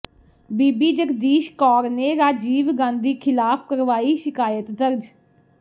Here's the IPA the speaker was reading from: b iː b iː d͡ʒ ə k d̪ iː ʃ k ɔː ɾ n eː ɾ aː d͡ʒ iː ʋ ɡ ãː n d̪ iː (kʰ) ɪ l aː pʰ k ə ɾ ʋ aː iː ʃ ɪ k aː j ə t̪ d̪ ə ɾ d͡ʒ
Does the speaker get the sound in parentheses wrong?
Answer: no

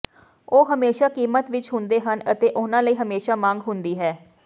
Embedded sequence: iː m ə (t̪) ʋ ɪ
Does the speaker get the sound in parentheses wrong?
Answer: no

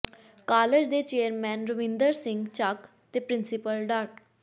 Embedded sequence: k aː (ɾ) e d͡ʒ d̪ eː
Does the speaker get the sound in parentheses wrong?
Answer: yes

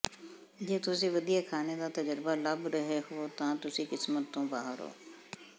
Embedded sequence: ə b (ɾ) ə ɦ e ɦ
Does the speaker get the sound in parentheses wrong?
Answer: no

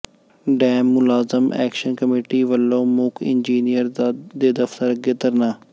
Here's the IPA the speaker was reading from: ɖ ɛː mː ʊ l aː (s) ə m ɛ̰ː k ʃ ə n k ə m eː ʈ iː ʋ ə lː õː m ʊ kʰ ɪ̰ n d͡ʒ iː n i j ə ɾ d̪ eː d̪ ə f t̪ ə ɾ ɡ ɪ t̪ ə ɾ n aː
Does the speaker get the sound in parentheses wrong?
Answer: yes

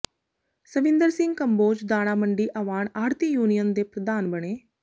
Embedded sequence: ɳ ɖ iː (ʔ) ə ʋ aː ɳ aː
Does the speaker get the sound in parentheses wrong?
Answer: no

